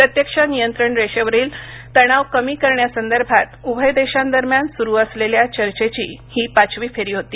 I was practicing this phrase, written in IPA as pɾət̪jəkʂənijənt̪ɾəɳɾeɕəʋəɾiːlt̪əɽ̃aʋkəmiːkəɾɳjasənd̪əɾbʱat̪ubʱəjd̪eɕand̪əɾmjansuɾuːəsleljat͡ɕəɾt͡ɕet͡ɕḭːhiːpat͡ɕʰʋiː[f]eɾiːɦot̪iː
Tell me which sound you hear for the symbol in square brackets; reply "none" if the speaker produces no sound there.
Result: f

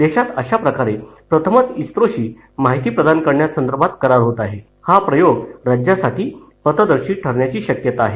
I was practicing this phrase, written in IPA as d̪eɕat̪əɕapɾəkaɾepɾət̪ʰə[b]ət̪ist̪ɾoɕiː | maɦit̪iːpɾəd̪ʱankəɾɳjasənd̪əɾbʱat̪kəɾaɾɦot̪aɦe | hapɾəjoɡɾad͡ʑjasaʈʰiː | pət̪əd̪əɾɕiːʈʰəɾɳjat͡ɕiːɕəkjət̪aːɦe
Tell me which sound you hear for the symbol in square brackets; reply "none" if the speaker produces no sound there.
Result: m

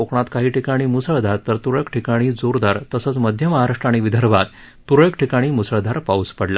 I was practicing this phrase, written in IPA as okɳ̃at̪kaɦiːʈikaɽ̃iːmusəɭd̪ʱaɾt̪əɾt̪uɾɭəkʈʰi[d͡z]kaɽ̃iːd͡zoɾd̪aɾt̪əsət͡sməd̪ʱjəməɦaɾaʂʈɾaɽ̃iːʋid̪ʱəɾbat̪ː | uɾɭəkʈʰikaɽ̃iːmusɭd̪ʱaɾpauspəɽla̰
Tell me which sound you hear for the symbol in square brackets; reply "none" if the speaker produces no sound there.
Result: none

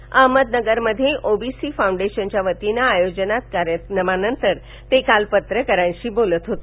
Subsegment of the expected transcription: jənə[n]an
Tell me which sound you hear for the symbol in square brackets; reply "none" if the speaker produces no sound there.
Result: m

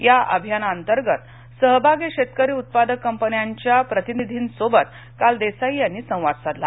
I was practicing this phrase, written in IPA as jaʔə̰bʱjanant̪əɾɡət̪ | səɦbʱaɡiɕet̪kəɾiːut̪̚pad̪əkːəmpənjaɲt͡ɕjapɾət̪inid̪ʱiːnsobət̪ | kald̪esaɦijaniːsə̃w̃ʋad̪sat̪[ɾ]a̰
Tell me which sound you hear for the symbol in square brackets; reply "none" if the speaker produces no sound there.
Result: l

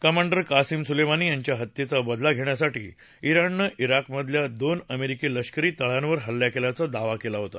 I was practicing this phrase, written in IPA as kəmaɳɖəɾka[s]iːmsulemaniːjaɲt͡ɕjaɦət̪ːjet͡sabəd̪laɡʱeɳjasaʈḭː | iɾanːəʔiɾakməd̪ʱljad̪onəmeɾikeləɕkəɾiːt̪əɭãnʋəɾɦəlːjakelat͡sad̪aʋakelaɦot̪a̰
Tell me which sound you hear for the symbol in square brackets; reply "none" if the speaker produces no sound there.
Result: s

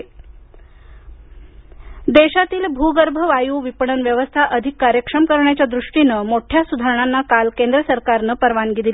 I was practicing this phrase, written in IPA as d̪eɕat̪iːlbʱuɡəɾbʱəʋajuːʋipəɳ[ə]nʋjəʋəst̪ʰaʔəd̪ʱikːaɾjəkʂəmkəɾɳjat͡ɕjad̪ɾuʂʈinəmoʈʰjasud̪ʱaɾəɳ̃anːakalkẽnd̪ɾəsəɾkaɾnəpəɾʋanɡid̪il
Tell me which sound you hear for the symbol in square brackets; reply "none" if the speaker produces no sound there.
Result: ə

